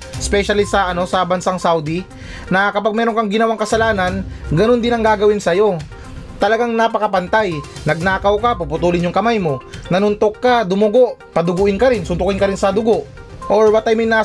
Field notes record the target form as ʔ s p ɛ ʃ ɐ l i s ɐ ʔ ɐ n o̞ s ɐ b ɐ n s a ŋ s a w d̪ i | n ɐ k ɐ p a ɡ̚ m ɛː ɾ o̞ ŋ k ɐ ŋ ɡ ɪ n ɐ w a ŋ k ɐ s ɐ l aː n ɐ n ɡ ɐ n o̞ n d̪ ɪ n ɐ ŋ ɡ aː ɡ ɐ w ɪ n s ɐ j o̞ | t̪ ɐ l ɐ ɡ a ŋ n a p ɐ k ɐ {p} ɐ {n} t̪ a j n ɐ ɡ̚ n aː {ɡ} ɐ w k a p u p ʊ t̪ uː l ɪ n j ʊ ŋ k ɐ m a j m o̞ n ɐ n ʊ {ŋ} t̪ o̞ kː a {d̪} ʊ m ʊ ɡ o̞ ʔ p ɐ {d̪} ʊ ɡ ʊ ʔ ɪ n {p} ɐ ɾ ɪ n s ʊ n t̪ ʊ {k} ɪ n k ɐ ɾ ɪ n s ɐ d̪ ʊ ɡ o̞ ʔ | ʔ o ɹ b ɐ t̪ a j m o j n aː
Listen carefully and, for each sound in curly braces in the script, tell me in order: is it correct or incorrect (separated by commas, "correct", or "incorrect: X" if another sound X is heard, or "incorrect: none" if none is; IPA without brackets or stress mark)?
correct, correct, incorrect: k, incorrect: n, correct, correct, incorrect: k, correct